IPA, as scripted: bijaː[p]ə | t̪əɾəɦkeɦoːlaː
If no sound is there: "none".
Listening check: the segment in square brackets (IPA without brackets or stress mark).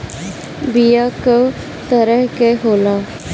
k